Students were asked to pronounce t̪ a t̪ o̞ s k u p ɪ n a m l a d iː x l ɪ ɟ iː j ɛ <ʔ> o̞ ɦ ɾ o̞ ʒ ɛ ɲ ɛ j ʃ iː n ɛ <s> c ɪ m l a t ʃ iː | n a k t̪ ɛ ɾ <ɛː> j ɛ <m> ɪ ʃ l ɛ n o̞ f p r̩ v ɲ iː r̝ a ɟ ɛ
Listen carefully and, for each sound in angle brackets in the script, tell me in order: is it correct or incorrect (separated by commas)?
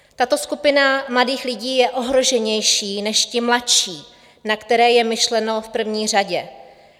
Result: correct, incorrect, correct, correct